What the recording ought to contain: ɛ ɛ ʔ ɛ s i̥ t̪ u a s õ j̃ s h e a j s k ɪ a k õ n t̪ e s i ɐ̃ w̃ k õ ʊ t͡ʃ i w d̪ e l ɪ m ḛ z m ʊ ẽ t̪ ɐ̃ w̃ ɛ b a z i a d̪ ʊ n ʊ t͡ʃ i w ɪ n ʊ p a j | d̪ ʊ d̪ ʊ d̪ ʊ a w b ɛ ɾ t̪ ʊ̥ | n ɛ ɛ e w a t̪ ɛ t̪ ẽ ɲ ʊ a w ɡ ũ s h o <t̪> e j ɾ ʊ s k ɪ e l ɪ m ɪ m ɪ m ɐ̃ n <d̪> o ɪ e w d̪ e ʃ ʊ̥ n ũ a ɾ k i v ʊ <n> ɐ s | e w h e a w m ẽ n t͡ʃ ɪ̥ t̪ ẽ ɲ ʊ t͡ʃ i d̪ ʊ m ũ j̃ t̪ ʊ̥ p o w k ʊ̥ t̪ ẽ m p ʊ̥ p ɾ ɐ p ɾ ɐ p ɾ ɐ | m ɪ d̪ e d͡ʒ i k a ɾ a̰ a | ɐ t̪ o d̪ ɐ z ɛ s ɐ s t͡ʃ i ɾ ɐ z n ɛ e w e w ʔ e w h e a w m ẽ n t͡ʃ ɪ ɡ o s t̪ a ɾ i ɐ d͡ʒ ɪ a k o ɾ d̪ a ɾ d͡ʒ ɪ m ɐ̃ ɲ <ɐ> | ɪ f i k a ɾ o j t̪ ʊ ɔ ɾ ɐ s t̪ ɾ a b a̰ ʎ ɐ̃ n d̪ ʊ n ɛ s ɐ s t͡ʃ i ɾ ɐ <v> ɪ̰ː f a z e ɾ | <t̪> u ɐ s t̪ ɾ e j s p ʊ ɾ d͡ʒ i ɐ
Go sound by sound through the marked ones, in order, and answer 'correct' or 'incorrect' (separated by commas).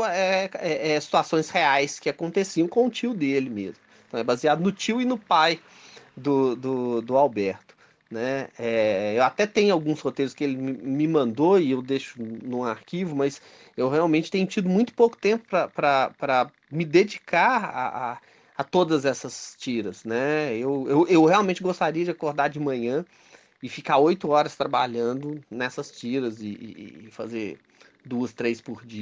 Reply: correct, correct, incorrect, incorrect, incorrect, incorrect